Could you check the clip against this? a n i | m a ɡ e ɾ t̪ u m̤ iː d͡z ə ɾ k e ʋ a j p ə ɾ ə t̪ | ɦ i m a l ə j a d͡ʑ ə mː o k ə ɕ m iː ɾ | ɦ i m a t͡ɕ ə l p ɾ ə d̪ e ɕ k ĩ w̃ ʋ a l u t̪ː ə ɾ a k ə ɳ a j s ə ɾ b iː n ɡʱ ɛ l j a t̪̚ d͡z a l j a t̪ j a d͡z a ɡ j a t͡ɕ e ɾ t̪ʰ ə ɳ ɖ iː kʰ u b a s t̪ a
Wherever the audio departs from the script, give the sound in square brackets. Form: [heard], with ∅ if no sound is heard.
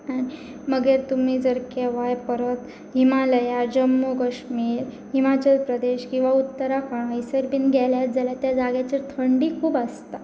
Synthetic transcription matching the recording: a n i | m [ə] ɡ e ɾ t̪ u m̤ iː d͡z ə ɾ k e ʋ a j p ə ɾ ə t̪ | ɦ i m a l ə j a d͡ʑ ə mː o k ə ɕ m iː ɾ | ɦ i m a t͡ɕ ə l p ɾ ə d̪ e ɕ k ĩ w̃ ʋ a [∅] u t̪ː ə ɾ a k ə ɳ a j s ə ɾ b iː n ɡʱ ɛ l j a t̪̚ d͡z a l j a t̪ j a d͡z a ɡ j a t͡ɕ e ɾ t̪ʰ ə ɳ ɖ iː kʰ [uː] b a s t̪ a